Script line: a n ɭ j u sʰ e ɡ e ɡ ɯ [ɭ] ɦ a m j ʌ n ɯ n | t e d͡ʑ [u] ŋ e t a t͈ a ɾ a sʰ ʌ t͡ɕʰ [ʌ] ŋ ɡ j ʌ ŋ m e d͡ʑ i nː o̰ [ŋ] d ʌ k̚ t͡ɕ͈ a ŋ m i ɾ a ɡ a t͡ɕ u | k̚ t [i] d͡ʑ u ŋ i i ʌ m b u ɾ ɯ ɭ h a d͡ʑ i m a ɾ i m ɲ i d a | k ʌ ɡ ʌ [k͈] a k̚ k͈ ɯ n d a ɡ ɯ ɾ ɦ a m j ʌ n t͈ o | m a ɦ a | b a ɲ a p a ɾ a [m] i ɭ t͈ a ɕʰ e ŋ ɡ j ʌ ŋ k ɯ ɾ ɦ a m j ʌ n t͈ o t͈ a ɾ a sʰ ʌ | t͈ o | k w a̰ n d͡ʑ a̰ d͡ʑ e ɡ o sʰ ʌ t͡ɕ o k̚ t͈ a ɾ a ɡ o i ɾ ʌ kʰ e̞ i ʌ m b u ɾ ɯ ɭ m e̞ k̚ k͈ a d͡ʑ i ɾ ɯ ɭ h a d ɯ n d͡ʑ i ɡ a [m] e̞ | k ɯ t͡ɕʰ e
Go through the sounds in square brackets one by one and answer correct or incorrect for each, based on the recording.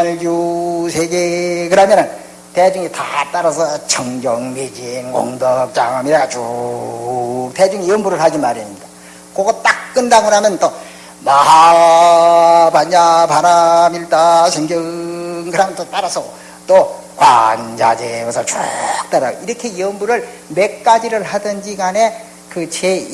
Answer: incorrect: ɾ, correct, correct, correct, incorrect: e, incorrect: t͈, correct, incorrect: n

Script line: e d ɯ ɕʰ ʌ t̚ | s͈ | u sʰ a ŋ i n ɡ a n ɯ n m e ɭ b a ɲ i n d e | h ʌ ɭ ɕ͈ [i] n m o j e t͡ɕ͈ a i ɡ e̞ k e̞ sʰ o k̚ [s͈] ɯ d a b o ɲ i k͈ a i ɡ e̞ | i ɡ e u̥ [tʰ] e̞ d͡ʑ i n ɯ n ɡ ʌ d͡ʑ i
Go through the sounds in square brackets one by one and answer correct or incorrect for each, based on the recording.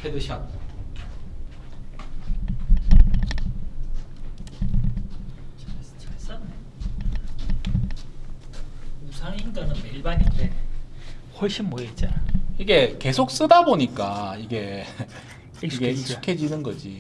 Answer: correct, correct, incorrect: kʰ

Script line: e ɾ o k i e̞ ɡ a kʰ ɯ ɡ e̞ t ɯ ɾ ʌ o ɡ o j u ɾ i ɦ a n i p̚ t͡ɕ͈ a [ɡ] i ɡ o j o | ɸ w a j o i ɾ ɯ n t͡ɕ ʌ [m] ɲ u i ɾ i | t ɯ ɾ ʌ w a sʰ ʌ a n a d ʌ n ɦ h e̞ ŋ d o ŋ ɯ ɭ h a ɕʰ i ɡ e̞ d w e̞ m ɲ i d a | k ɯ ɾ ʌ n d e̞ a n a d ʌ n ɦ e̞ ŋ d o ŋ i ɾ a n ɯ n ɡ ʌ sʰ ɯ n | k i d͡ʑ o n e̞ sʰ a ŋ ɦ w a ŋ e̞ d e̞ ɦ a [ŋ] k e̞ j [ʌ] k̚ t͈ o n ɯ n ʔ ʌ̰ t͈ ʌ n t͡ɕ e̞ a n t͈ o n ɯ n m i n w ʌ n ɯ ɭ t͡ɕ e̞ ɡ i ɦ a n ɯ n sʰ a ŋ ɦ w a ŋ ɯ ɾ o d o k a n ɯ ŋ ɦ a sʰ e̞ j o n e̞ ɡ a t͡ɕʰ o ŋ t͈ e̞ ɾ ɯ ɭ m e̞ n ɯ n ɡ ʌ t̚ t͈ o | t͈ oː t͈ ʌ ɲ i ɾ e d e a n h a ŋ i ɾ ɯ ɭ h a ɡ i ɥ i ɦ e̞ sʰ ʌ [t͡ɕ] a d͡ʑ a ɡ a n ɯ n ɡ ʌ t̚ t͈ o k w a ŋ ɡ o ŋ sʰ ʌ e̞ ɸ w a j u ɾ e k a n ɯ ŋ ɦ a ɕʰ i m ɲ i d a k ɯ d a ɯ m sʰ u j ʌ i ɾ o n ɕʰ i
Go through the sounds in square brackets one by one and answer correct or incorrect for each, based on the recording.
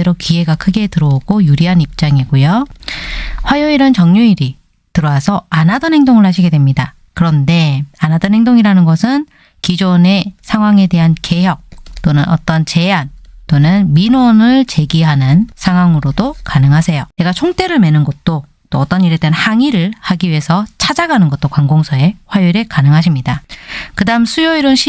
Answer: incorrect: ŋ, incorrect: ŋ, incorrect: n, correct, incorrect: t͡ɕʰ

